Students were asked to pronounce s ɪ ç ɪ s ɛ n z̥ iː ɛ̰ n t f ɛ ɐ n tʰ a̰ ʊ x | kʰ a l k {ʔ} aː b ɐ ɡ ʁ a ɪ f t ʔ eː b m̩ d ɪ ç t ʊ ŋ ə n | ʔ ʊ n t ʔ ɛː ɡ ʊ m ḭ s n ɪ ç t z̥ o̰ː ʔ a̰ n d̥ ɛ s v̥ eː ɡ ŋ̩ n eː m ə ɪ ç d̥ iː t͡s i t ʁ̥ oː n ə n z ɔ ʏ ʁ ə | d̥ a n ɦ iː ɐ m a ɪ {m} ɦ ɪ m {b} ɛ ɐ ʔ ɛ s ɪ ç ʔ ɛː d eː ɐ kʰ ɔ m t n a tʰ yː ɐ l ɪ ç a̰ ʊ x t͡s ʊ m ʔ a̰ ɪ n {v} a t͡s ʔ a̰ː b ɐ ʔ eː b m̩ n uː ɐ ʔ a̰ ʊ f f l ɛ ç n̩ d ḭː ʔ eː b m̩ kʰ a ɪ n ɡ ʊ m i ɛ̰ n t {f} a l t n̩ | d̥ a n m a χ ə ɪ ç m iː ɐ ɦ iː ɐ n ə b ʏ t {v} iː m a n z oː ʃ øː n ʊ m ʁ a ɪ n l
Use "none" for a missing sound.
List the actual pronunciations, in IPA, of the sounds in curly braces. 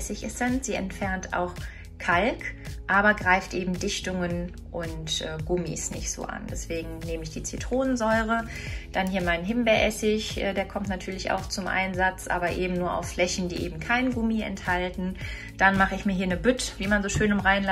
ʔ, n, b, z, h, v

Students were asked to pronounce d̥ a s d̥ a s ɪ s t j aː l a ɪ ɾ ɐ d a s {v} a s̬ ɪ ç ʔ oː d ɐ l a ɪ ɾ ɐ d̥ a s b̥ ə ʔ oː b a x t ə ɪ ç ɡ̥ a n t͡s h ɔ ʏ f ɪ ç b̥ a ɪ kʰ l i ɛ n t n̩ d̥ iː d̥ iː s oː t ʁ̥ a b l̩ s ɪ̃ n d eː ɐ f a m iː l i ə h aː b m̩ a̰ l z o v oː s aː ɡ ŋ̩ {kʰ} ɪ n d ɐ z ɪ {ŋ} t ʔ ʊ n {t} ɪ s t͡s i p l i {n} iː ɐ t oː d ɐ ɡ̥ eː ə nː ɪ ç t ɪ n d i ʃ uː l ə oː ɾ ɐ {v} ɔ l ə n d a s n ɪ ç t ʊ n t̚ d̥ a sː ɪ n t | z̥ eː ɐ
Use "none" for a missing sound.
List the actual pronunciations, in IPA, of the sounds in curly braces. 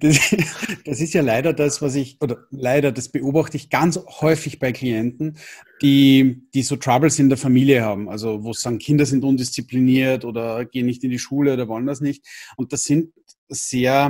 v, kʰ, n, d, n, v

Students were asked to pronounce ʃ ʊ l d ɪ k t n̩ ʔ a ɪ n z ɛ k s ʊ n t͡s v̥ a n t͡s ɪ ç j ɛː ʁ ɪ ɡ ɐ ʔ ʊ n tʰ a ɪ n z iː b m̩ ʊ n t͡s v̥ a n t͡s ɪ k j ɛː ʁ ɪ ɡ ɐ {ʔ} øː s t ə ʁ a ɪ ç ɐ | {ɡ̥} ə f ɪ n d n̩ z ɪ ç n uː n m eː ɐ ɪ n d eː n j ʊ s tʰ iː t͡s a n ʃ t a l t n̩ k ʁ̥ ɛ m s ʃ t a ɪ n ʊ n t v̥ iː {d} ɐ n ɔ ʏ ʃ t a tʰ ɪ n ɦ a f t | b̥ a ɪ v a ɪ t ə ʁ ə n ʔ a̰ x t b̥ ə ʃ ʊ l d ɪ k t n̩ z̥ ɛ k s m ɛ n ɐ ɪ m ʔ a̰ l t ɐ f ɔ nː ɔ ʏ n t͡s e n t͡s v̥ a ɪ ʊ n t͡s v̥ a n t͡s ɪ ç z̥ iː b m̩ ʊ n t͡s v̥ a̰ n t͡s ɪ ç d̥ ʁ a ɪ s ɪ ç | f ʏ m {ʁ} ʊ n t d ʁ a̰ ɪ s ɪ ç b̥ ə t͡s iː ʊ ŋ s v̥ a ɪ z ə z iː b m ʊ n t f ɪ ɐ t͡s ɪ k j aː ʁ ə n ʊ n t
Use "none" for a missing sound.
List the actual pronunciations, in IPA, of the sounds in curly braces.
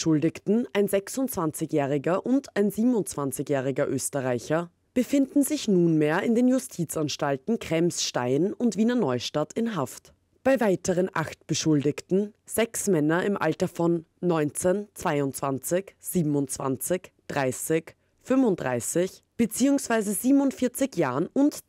ʔ, b̥, n, v

